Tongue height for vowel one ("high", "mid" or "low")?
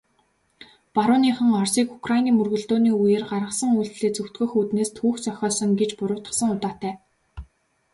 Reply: low